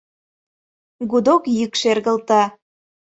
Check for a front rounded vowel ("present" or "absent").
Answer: present